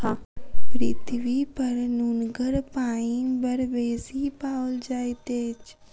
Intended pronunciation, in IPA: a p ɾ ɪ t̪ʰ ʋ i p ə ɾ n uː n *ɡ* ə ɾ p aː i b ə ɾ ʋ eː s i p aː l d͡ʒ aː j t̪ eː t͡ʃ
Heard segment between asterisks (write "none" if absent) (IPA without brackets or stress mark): ɡ